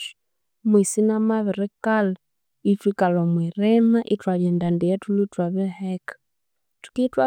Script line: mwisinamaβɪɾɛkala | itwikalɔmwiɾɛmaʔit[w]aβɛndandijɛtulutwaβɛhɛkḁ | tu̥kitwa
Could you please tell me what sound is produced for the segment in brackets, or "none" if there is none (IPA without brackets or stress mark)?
w